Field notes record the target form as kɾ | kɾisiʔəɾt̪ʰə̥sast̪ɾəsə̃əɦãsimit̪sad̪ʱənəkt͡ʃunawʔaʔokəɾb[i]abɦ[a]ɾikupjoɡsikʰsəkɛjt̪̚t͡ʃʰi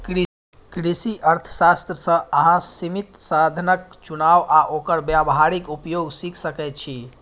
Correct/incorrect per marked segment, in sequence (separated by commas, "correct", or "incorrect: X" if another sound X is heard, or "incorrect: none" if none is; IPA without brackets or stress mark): incorrect: j, correct